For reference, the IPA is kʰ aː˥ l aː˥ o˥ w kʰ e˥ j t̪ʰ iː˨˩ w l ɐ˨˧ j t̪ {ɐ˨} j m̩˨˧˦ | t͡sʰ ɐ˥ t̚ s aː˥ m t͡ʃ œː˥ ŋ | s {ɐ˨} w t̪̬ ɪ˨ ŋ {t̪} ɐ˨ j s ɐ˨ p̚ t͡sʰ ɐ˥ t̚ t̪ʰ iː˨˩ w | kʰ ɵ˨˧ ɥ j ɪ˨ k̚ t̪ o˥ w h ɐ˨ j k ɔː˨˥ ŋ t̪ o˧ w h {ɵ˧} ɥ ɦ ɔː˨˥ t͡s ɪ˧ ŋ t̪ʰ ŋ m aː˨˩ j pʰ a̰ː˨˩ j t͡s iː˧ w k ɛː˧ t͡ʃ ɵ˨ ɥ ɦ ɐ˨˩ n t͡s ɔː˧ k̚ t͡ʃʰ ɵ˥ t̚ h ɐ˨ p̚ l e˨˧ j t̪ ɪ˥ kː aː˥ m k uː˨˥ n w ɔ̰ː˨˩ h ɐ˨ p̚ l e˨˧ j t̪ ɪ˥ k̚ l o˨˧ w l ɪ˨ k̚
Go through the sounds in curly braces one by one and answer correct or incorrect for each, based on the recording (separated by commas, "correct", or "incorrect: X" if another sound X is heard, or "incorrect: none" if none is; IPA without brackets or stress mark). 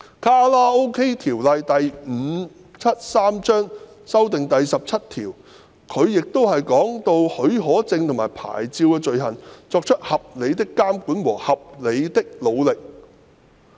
correct, incorrect: ɐ˥, correct, incorrect: ɵ˨˥